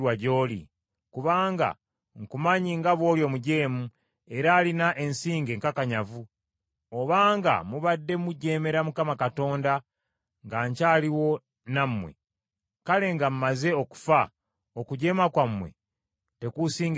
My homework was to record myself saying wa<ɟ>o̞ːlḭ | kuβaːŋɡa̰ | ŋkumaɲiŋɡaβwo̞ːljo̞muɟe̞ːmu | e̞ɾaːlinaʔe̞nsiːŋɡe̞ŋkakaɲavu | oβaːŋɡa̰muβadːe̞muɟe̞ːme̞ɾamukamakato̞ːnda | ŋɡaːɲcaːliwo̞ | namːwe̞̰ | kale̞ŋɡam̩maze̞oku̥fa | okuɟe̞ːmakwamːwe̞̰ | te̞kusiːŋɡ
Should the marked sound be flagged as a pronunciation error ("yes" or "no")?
no